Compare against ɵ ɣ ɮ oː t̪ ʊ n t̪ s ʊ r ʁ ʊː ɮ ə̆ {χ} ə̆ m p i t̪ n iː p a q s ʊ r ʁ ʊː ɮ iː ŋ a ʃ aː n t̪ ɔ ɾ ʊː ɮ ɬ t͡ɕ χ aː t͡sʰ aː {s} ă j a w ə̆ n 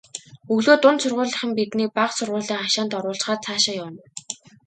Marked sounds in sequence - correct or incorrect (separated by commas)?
correct, incorrect